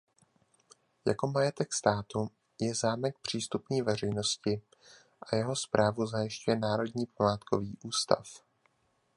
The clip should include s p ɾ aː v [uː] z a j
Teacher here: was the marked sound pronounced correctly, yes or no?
no